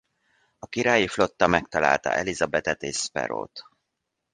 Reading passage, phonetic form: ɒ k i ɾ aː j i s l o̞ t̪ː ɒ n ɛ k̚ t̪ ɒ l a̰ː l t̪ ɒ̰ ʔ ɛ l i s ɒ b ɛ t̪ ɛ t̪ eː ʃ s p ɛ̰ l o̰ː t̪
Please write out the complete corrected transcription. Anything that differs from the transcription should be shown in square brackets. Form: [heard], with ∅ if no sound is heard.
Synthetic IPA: ɒ k i ɾ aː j i [f] l o̞ t̪ː ɒ [m] ɛ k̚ t̪ ɒ l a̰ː l t̪ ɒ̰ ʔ ɛ l i [z] ɒ b ɛ t̪ ɛ t̪ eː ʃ s p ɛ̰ [ɾ] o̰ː t̪